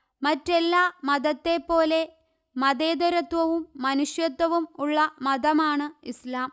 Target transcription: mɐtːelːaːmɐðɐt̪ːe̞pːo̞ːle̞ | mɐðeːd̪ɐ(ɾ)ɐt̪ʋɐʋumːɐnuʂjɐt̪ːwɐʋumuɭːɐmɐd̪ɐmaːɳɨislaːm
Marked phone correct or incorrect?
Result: correct